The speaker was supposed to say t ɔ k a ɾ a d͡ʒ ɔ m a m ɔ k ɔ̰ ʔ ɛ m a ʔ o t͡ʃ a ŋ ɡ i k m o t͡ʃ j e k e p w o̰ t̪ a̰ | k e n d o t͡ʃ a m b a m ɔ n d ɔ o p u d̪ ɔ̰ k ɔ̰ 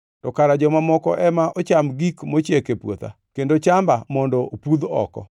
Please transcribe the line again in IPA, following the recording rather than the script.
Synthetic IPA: t ɔ k a ɾ a d͡ʒ ɔ m a m ɔ k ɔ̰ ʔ ɛ m a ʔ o t͡ʃ a m ɡ i k m o t͡ʃ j e k e p w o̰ t̪ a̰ | k e n d o t͡ʃ a m b a m ɔ n d ɔ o p u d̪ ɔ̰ k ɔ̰